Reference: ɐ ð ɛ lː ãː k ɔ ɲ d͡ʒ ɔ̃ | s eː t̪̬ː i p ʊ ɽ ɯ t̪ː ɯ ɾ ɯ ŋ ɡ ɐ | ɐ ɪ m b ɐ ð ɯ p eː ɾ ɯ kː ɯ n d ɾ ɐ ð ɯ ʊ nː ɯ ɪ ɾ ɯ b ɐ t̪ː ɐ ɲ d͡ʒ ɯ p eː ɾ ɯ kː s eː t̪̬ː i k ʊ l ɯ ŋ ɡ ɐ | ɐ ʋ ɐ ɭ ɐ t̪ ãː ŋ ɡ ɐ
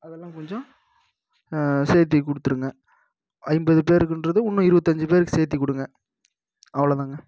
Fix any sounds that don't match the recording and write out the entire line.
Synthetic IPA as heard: ɐ ð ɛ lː ãː k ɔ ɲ d͡ʒ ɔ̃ | s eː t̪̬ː i k ʊ ɽ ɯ t̪ː ɯ ɾ ɯ ŋ ɡ ɐ | ɐ ɪ m b ɐ ð ɯ p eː ɾ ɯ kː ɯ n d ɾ ɐ ð ɯ ʊ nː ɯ ɪ ɾ ɯ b ɐ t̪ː ɐ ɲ d͡ʒ ɯ p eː ɾ ɯ kː s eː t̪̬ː i k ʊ ɽ ɯ ŋ ɡ ɐ | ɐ ʋ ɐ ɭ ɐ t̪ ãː ŋ ɡ ɐ

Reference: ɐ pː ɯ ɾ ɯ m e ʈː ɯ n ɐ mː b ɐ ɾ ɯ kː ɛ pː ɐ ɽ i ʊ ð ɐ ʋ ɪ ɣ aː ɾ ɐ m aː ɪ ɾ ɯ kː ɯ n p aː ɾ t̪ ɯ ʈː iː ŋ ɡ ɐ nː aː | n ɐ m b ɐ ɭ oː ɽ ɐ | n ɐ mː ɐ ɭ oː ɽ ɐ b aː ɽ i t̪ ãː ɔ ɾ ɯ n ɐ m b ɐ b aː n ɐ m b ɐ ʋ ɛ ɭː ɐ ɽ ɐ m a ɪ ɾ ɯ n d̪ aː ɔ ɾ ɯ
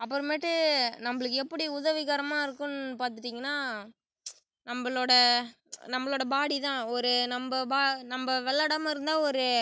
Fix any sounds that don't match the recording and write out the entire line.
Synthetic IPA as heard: ɐ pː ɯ ɾ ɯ m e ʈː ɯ n ɐ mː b ɐ ɭ ɯ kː ɛ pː ɐ ɽ i ʊ ð ɐ ʋ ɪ ɣ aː ɾ ɐ m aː ɪ ɾ ɯ kː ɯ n p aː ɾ t̪ ɯ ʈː iː ŋ ɡ ɐ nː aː | n ɐ m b ɐ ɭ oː ɽ ɐ | n ɐ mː ɐ ɭ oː ɽ ɐ b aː ɽ i t̪ ãː ɔ ɾ ɯ n ɐ m b ɐ b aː n ɐ m b ɐ ʋ ɛ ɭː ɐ ɽ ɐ m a ɪ ɾ ɯ n d̪ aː ɔ ɾ ɯ

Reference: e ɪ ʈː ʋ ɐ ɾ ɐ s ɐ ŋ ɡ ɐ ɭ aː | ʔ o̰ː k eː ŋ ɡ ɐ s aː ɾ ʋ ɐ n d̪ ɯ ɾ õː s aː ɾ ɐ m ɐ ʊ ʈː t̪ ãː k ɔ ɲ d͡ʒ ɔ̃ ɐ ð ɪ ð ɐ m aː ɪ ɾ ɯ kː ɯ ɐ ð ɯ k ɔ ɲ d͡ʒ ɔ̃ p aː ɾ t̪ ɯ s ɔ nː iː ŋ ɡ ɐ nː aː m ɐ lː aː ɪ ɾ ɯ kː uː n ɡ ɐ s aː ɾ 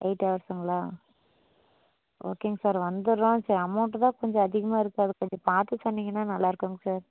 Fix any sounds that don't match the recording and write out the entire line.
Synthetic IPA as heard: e ɪ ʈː ʋ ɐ ɾ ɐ s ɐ ŋ ɡ ɐ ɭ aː | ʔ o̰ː k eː ŋ ɡ ɐ s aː ɾ ʋ ɐ n d̪ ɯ ɾ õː s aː ɾ ɐ m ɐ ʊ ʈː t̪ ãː k ɔ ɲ d͡ʒ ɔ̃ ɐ ð ɪ ɣ ɐ m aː ɪ ɾ ɯ kː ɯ ɐ ð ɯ k ɔ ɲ d͡ʒ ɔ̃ p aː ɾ t̪ ɯ s ɔ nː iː ŋ ɡ ɐ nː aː n ɐ lː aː ɪ ɾ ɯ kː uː ŋ ɡ ɐ s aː ɾ

